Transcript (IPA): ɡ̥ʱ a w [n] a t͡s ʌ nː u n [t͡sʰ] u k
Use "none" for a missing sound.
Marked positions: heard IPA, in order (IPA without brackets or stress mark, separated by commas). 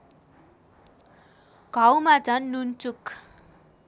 m, t͡s